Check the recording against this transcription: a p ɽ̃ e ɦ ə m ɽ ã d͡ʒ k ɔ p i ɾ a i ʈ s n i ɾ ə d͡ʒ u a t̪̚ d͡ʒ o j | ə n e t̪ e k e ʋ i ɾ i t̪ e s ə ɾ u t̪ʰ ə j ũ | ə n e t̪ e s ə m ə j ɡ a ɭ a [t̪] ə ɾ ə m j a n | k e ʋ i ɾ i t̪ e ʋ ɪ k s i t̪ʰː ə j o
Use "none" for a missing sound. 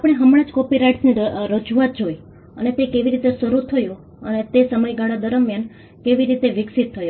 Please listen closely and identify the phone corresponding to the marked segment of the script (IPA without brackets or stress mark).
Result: d̪